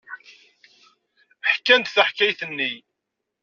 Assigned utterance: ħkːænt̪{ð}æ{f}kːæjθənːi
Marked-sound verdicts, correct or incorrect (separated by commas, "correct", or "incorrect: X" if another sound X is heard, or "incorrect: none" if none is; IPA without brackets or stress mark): incorrect: θ, incorrect: ħ